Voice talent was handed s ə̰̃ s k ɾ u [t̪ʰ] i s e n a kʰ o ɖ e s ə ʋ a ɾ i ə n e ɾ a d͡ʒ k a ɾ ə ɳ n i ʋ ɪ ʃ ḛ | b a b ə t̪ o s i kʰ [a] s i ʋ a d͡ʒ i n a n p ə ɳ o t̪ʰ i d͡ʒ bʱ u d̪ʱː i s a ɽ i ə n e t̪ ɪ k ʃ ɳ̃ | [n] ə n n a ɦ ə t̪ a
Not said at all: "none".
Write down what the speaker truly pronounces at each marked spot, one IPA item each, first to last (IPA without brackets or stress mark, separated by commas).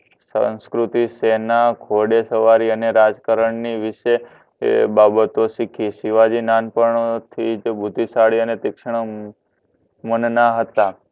t̪, i, m